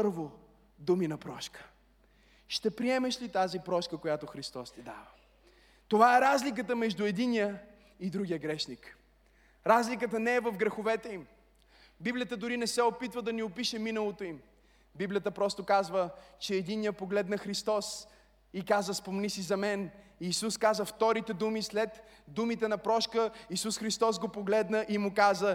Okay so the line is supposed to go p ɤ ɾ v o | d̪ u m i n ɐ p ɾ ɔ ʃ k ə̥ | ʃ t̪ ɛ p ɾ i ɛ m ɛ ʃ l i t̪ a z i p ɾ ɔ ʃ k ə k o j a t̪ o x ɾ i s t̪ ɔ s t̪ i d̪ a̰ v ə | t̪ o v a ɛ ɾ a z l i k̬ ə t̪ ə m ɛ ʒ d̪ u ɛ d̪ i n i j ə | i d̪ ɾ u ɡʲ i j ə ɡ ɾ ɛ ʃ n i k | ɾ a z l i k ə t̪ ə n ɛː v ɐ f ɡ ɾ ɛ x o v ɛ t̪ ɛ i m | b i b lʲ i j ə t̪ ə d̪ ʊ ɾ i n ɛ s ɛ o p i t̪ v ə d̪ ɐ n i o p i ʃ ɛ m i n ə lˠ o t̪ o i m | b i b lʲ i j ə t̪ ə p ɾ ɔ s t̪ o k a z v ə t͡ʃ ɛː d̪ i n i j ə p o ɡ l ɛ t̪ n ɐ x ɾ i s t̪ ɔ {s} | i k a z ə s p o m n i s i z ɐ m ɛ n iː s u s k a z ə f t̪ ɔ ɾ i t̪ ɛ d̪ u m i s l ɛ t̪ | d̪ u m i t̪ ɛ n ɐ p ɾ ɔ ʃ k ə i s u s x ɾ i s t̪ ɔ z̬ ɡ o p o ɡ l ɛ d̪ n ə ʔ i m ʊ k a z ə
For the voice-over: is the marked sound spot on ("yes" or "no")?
yes